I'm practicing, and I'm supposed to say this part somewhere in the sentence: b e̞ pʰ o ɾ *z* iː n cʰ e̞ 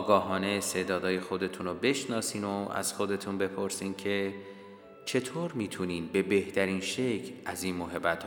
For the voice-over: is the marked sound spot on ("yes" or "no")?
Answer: no